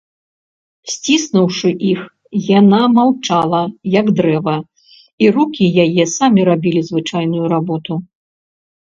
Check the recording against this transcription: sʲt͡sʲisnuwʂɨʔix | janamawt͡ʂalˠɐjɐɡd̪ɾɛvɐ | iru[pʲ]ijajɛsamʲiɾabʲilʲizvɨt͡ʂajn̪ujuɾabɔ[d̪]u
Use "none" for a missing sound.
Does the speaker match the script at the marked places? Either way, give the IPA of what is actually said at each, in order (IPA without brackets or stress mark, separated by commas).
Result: kʲ, t̪